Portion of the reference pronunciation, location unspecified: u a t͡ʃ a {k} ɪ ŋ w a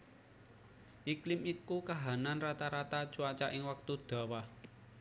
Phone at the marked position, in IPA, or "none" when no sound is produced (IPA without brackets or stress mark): ʔ